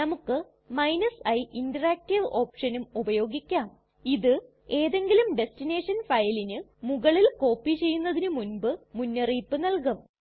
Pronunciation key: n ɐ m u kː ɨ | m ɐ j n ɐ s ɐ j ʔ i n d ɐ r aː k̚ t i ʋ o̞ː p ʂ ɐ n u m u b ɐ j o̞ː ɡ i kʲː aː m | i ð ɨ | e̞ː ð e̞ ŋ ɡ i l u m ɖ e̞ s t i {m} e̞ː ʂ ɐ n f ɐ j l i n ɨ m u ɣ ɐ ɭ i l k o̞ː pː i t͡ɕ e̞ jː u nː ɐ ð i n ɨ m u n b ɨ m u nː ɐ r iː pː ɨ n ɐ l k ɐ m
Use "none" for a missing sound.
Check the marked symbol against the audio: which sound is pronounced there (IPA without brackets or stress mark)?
n